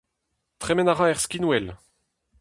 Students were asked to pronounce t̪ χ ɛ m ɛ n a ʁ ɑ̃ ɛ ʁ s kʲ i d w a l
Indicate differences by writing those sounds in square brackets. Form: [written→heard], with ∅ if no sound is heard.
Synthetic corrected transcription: t̪ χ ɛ m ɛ n a ʁ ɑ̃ ɛ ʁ s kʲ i [d→n] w [a→ɛ] l